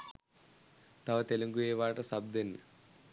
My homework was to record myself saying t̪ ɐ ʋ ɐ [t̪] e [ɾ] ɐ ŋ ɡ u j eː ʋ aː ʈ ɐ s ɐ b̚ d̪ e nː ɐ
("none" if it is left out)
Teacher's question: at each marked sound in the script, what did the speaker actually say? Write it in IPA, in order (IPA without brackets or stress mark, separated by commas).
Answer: t̪, l